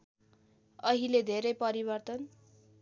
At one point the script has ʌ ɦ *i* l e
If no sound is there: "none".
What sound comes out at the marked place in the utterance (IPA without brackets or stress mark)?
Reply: i